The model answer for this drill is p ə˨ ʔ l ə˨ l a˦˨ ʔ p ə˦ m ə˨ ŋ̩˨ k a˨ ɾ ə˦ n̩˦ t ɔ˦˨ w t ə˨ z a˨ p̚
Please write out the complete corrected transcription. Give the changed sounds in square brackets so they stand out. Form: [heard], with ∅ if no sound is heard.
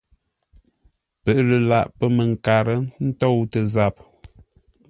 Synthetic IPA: p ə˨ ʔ l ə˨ l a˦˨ ʔ p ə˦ m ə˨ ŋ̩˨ k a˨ ɾ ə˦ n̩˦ t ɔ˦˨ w t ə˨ z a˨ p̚

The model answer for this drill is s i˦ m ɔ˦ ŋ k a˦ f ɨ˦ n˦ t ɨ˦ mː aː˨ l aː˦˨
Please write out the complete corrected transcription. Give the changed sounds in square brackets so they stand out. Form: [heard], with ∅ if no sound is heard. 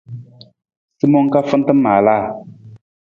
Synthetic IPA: s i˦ m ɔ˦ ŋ k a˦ f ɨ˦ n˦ t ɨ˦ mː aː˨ l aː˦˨

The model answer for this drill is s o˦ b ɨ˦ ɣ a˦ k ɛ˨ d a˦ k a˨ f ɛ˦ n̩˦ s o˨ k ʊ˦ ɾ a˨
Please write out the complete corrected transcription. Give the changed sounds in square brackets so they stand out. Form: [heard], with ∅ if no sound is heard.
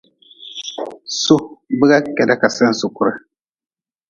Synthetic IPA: s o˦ b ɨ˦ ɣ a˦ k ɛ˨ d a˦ k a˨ [s] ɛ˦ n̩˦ s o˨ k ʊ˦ ɾ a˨

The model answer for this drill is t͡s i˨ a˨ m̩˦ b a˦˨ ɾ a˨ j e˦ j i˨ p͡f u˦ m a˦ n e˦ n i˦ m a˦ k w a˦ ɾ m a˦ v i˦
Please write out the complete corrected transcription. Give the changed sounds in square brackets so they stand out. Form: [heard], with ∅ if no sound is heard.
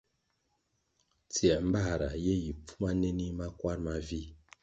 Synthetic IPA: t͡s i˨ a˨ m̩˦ b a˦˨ ɾ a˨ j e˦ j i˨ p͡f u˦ m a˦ n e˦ n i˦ m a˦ k w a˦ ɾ m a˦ v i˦

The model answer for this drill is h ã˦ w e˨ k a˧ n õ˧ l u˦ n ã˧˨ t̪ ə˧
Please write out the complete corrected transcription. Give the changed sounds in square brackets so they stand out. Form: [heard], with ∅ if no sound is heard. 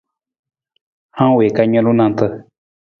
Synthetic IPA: h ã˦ w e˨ k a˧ [ɲ] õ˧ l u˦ n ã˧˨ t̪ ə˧

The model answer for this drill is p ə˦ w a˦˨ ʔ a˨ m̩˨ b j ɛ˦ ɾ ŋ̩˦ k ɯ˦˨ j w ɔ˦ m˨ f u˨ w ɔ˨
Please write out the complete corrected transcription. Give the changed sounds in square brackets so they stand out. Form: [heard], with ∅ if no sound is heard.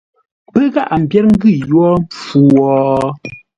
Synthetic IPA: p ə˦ [ɣ] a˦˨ ʔ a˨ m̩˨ b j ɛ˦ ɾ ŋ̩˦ [ɡ] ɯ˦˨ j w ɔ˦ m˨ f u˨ w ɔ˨

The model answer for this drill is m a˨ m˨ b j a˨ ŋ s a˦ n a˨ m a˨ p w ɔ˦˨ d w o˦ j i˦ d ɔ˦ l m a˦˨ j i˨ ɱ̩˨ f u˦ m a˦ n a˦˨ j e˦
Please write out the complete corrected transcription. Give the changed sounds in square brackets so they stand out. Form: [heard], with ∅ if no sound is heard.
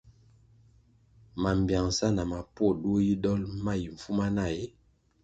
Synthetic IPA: m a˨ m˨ b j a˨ ŋ s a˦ n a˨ m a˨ p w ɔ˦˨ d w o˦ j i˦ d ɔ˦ l m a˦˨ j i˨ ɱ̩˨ f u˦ m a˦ n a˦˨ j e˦

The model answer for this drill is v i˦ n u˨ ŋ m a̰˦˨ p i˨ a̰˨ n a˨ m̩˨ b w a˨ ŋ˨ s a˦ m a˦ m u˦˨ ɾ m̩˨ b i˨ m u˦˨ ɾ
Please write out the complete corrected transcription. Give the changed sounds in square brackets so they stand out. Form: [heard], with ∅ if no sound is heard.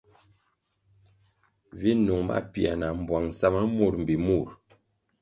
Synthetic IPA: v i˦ n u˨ ŋ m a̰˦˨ p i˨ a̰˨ n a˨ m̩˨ b w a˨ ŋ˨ s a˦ m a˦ m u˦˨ ɾ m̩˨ b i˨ m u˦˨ ɾ

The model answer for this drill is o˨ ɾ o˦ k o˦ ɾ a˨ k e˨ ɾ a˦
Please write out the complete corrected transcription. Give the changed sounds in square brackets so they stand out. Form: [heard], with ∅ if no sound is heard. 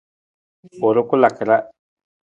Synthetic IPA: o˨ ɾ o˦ k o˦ [l] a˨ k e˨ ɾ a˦

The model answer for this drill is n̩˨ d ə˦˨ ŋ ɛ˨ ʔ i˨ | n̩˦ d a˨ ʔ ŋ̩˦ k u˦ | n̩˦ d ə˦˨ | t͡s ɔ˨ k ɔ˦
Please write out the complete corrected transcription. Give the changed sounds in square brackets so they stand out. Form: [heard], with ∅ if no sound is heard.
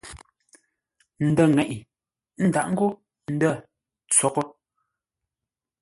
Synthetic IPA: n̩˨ d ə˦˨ ŋ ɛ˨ ʔ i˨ | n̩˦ d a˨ ʔ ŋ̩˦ [ɡ] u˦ | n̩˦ d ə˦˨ | t͡s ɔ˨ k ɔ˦

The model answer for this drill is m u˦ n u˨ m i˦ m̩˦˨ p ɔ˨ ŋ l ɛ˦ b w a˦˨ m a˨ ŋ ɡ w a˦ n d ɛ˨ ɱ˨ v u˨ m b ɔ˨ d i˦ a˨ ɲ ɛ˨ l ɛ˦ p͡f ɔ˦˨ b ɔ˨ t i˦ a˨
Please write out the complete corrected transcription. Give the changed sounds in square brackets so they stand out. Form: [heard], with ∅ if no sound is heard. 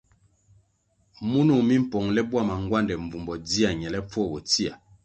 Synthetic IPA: m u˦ n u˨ m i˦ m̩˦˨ p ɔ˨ ŋ l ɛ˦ b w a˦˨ m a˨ ŋ ɡ w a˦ n d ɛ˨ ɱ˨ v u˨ m b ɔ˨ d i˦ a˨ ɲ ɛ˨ l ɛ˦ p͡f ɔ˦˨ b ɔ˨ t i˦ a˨

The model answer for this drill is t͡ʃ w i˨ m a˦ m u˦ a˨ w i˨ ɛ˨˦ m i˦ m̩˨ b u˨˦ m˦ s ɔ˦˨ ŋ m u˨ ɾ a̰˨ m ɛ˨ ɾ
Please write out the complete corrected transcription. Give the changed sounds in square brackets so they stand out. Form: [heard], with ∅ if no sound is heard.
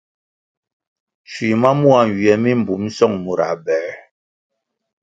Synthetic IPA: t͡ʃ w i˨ m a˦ m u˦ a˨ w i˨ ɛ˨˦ m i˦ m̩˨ b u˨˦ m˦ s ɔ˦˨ ŋ m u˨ ɾ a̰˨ [b] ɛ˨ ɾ

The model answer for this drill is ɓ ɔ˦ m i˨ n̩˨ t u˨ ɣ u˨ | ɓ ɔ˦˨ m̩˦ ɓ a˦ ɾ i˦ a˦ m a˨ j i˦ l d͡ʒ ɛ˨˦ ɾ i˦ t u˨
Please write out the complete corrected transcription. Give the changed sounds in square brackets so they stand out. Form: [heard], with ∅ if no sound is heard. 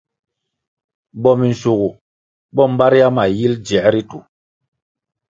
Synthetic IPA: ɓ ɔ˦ m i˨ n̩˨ [s] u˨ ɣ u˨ | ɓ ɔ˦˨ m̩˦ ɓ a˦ ɾ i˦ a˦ m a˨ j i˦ l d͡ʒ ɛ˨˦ ɾ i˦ t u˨

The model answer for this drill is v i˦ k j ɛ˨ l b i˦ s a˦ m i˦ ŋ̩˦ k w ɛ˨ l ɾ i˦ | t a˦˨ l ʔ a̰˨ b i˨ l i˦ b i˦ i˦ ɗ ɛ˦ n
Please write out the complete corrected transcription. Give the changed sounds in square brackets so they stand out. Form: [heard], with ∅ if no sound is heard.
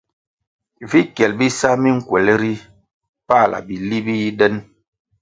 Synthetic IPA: v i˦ k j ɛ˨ l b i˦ s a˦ m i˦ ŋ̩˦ k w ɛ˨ l ɾ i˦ | [p] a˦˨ l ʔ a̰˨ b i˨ l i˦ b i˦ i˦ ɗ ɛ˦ n

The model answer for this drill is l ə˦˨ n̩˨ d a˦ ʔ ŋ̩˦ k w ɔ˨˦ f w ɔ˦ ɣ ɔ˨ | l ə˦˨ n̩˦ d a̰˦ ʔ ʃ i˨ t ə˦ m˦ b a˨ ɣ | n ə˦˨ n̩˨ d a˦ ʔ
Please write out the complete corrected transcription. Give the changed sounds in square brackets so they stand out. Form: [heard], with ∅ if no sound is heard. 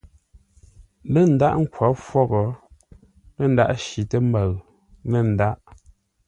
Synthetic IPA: l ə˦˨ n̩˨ d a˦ ʔ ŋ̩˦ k w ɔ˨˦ f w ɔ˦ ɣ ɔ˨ | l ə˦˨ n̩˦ d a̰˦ ʔ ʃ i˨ t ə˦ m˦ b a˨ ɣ | n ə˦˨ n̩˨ d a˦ ʔ

